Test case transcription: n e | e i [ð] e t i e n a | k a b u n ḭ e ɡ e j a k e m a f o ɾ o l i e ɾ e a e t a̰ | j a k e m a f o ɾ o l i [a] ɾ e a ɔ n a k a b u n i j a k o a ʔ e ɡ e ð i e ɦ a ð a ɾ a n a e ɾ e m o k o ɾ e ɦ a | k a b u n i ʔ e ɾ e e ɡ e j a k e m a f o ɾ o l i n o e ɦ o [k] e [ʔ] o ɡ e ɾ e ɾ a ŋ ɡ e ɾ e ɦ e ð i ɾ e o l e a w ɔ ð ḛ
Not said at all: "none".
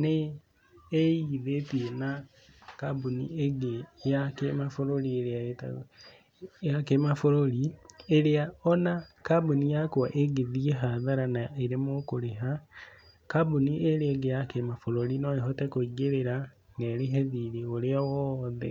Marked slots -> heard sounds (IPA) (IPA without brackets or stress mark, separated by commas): ð, e, t, k